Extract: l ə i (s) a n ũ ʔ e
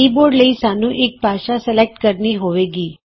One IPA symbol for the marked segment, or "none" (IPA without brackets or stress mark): s